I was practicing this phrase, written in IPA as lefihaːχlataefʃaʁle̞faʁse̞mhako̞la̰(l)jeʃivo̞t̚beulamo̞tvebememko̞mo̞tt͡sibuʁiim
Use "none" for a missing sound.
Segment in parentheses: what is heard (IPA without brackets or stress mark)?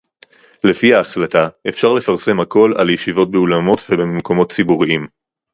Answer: l